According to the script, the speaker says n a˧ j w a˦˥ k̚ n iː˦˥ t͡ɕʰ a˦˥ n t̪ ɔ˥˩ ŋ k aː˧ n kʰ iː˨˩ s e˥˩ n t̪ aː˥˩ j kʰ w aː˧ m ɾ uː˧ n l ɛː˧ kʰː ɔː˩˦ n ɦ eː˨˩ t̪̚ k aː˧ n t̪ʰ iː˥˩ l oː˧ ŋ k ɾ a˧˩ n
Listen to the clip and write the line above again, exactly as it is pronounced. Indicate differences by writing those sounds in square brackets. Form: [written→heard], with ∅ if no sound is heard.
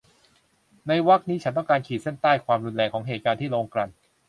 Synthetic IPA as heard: n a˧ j w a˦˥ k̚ n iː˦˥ t͡ɕʰ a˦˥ n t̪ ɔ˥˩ ŋ k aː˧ n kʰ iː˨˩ s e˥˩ n t̪ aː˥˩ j kʰ w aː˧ m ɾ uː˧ n l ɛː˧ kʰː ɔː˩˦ [n→ŋ] ɦ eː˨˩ t̪̚ k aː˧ n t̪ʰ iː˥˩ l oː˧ ŋ k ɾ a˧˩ n

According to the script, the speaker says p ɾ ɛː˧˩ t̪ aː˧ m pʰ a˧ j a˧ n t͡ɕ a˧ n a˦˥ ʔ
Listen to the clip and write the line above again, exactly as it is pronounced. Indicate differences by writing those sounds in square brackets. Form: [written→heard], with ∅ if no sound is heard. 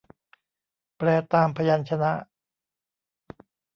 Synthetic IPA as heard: p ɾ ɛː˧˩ t̪ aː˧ m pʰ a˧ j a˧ n [t͡ɕ→t͡ɕʰ] a˧ n a˦˥ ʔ

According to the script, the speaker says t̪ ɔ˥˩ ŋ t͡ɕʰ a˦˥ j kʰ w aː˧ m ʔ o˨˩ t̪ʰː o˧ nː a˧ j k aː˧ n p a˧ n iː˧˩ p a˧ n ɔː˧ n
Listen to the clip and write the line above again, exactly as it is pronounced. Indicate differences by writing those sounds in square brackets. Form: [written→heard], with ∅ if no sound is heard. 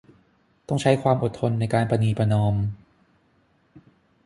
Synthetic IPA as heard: t̪ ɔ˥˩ ŋ t͡ɕʰ a˦˥ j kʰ w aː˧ m ʔ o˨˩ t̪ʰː o˧ nː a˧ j k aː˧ n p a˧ n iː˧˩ p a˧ n ɔː˧ [n→m]

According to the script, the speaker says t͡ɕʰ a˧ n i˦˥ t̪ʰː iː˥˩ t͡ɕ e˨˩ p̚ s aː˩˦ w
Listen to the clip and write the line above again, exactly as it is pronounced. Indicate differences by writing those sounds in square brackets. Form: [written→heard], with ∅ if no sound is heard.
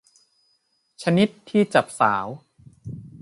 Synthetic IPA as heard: t͡ɕʰ a˧ n i˦˥ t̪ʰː iː˥˩ t͡ɕ [e˨˩→a˨˩] p̚ s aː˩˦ w

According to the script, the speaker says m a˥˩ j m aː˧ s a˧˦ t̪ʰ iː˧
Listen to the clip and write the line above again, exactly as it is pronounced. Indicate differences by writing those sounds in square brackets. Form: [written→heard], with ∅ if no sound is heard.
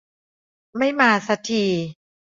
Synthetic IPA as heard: m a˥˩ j m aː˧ s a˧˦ t̪ʰ iː˧

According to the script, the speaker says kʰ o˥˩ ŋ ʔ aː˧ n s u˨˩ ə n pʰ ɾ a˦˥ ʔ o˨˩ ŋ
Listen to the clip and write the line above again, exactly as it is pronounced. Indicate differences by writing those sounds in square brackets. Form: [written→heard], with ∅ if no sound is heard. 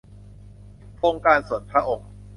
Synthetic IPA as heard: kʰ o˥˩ ŋ [ʔ→k] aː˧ n s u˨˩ ə n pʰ ɾ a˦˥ ʔ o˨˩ ŋ

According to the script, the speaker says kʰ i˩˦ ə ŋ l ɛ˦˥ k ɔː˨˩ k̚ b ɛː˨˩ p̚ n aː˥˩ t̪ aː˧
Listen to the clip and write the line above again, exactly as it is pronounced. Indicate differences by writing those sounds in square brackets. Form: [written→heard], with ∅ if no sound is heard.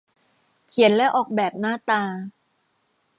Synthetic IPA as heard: kʰ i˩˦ ə [ŋ→n] l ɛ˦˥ [k→ʔ] ɔː˨˩ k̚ b ɛː˨˩ p̚ n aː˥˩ t̪ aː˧

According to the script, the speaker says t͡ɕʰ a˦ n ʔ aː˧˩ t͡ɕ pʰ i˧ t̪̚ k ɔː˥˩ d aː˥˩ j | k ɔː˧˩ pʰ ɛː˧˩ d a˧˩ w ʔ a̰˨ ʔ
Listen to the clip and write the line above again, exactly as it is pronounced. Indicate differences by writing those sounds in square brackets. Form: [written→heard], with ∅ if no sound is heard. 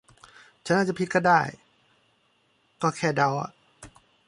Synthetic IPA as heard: t͡ɕʰ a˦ n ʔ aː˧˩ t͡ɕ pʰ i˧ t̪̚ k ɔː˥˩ d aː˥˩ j | k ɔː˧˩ [pʰ→kʰ] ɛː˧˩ d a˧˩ w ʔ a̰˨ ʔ

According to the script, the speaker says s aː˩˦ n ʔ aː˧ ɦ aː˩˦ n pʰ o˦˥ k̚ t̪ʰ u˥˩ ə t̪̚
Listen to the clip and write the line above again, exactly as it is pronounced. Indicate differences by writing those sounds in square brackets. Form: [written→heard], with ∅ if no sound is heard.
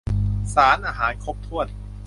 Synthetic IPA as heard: s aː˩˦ n ʔ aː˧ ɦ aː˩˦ n [pʰ→kʰ] o˦˥ [k̚→p̚] t̪ʰ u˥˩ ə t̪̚

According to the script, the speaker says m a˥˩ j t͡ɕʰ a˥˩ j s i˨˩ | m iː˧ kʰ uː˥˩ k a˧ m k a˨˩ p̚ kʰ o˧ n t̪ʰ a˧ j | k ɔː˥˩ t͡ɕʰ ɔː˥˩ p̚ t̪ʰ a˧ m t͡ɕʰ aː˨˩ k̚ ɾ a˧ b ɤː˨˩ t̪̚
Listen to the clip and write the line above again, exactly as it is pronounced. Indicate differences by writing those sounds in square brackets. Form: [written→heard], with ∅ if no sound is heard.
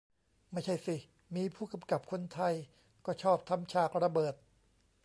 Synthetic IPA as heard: m a˥˩ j t͡ɕʰ a˥˩ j s i˨˩ | m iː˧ [kʰ→pʰ] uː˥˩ k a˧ m k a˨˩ p̚ kʰ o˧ n t̪ʰ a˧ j | k ɔː˥˩ t͡ɕʰ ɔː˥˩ p̚ t̪ʰ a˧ m t͡ɕʰ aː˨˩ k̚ ɾ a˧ b ɤː˨˩ t̪̚

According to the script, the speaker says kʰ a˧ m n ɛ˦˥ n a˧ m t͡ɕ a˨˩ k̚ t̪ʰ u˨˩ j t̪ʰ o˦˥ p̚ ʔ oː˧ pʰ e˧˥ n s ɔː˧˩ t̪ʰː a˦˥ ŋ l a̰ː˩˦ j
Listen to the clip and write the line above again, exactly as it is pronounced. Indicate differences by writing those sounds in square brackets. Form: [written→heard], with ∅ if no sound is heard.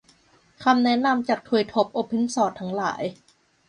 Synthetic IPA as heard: kʰ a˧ m n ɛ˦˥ n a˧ m t͡ɕ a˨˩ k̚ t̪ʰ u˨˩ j t̪ʰ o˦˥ p̚ ʔ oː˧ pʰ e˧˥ n s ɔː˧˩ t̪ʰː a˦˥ ŋ l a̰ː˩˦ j

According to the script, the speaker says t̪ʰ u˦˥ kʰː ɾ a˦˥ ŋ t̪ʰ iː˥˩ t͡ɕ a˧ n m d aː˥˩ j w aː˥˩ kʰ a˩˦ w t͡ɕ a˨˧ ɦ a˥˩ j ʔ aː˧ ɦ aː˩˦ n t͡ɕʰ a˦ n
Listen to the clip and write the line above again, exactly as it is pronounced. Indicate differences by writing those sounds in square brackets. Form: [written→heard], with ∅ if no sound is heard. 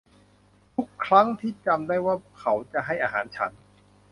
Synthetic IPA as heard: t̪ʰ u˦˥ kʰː ɾ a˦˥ ŋ t̪ʰ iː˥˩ t͡ɕ a˧ [n→∅] m d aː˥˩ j w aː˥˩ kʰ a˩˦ w t͡ɕ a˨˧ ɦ a˥˩ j ʔ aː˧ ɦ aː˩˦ n t͡ɕʰ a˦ n

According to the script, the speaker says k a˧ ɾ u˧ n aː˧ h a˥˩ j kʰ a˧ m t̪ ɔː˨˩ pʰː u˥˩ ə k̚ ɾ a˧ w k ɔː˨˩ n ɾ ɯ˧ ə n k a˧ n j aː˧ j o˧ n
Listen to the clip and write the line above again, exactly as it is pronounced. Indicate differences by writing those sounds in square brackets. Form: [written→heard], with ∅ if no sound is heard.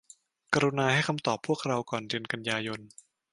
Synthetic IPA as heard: k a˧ ɾ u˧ n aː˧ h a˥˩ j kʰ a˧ m t̪ ɔː˨˩ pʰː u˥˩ ə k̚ ɾ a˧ w k ɔː˨˩ n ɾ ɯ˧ ə n k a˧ n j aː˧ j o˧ n

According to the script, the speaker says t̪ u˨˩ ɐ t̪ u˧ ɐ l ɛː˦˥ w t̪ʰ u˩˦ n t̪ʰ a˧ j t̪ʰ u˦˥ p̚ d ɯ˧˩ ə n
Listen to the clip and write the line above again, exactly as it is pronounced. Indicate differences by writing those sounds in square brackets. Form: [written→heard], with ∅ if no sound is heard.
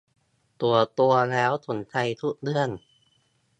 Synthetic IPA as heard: t̪ u˨˩ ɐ t̪ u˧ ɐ l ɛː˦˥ w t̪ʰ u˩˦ n t̪ʰ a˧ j t̪ʰ u˦˥ [p̚→k̚] d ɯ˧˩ ə n

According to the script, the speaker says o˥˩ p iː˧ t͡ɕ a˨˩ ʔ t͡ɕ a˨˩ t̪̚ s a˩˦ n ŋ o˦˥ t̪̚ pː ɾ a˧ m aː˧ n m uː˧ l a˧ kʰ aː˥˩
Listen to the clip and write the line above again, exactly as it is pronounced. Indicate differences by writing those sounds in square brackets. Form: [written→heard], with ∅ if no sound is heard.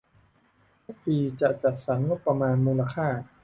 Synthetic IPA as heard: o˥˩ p iː˧ t͡ɕ a˨˩ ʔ t͡ɕ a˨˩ t̪̚ s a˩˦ n ŋ o˦˥ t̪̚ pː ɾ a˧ m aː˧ n m uː˧ l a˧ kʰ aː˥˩

